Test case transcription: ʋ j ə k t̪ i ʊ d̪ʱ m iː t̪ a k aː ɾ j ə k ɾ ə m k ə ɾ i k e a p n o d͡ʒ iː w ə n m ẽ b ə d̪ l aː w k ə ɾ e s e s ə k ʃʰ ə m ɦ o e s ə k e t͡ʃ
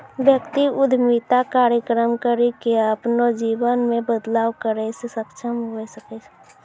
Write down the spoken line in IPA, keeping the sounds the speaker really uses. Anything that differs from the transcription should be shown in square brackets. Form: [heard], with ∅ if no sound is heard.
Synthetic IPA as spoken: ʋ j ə k t̪ i ʊ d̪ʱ m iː t̪ a k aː ɾ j ə k ɾ ə m k ə ɾ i k e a p n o d͡ʒ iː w ə n m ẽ b ə d̪ l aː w k ə ɾ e s e s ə k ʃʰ ə m ɦ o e s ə k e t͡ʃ